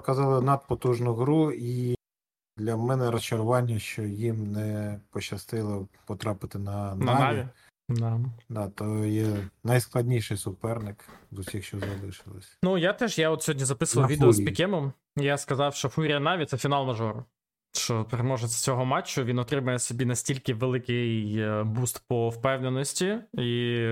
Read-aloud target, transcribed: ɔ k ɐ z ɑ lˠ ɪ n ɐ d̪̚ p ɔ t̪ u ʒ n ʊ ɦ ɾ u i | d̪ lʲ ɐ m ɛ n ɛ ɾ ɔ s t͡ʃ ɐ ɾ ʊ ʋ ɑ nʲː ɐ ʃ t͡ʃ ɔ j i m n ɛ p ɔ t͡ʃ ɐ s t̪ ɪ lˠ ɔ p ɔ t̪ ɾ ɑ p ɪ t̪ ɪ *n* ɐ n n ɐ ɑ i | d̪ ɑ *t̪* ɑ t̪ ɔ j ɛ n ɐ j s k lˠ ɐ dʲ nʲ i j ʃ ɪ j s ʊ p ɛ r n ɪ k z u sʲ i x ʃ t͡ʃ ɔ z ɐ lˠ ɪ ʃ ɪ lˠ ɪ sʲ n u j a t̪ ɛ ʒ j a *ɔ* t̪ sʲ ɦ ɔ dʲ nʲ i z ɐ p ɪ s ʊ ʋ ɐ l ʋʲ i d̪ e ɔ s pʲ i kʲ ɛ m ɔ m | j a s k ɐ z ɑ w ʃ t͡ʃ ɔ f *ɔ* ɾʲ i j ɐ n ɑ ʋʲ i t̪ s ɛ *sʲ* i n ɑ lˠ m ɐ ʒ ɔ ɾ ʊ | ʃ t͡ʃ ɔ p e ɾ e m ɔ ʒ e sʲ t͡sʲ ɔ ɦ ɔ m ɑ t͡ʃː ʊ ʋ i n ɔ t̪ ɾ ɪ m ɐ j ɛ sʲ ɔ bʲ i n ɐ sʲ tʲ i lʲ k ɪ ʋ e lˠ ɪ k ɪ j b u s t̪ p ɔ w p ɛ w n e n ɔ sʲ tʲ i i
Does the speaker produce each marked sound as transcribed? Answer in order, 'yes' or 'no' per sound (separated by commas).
yes, no, yes, no, no